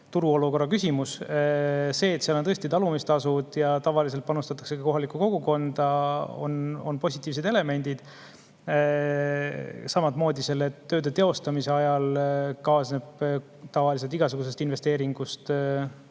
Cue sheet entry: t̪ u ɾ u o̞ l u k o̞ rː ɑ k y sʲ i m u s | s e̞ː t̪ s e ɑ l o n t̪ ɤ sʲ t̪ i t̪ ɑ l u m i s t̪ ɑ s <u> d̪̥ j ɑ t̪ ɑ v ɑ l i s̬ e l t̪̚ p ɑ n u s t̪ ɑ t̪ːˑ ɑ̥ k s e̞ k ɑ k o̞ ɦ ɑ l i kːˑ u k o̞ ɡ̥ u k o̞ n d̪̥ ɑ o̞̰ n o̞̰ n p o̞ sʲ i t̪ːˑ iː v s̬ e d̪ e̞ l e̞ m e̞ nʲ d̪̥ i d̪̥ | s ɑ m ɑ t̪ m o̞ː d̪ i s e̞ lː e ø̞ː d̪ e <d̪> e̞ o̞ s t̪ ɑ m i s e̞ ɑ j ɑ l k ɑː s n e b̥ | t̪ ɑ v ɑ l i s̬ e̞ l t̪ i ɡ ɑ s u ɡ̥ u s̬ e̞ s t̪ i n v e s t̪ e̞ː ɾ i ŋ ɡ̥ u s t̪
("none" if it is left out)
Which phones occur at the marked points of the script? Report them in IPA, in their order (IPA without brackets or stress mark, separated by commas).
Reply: u, t̪